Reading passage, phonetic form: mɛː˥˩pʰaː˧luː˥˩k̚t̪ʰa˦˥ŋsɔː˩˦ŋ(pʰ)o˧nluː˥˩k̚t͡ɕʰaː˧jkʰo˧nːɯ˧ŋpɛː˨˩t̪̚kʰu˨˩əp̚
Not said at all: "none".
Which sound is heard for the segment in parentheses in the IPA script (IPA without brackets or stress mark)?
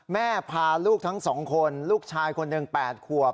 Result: kʰ